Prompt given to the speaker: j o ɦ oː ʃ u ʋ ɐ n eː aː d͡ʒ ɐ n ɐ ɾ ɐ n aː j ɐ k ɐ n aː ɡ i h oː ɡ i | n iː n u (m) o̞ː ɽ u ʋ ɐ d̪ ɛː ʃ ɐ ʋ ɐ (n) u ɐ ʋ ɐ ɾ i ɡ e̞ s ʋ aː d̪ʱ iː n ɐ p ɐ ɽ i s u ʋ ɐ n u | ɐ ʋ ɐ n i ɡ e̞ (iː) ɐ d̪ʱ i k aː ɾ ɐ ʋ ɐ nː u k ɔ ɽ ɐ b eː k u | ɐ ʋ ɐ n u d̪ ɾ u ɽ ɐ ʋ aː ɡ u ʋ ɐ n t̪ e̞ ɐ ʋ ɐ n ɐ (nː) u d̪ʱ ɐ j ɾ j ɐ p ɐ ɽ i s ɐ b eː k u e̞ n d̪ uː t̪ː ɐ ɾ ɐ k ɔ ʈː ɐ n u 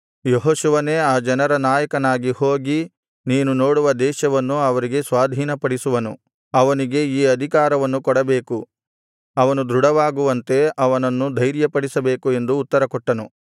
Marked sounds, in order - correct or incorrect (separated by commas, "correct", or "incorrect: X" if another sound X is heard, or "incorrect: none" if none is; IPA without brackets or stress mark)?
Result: incorrect: n, incorrect: nː, correct, correct